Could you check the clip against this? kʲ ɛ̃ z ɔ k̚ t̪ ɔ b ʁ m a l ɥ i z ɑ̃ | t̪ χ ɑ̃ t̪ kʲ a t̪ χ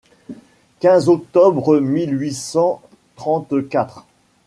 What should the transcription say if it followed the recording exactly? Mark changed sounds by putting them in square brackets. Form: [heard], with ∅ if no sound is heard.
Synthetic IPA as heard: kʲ ɛ̃ z ɔ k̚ t̪ ɔ b ʁ m [i] l ɥ i [s] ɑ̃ | t̪ χ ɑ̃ t̪ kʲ a t̪ χ